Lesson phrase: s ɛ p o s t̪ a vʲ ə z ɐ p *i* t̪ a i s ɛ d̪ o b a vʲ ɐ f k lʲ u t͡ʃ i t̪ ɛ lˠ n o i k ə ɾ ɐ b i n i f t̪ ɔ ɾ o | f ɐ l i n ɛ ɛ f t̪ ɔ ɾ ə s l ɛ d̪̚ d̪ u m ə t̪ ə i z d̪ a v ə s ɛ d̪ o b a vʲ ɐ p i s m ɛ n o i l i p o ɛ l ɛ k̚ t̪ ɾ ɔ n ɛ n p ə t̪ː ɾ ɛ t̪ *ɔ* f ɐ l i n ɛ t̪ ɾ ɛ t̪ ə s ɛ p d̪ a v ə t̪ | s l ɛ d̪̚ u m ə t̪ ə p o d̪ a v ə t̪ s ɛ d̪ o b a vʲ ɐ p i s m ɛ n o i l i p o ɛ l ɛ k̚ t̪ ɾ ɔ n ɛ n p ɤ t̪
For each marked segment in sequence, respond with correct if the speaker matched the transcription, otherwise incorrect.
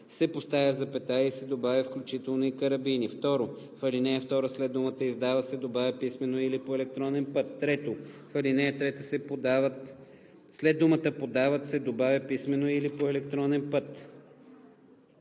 incorrect: ɛ, incorrect: o

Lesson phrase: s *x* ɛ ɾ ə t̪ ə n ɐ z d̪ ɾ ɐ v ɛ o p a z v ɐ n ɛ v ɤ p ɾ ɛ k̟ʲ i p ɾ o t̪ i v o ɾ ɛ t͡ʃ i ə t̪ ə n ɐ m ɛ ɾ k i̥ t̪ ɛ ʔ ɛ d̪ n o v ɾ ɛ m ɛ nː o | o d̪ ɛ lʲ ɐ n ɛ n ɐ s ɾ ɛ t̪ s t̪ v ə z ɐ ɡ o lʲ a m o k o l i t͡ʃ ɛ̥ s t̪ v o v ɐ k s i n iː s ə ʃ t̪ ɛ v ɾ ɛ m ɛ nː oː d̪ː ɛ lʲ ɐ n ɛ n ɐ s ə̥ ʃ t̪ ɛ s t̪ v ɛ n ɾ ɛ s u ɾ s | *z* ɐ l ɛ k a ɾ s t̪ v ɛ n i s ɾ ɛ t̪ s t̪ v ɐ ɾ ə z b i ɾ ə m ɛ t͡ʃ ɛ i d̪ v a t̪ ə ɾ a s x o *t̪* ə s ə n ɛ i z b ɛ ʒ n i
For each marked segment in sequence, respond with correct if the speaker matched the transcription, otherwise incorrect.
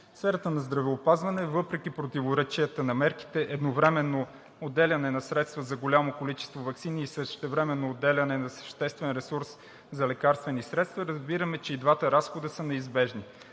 incorrect: f, correct, incorrect: d̪

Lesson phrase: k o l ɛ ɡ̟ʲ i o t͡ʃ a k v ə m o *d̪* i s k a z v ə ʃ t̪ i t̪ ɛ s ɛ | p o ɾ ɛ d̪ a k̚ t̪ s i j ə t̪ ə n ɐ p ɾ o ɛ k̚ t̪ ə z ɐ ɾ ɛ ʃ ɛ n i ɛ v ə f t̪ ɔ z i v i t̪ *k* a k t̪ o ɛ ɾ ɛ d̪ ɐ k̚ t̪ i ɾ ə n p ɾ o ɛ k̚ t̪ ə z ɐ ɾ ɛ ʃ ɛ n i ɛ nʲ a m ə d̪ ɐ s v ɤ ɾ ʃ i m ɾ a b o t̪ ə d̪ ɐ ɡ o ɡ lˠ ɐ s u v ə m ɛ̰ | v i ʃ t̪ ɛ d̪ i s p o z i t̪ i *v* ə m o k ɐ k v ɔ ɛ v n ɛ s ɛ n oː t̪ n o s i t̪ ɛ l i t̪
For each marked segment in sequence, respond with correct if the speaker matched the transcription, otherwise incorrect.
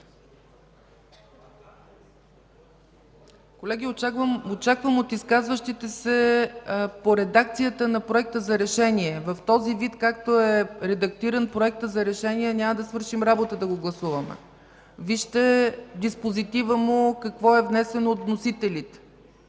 incorrect: t̪, correct, correct

